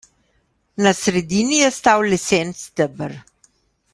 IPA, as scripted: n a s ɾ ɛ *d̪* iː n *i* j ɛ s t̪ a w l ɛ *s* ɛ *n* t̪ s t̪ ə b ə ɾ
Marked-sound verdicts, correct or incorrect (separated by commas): correct, correct, correct, correct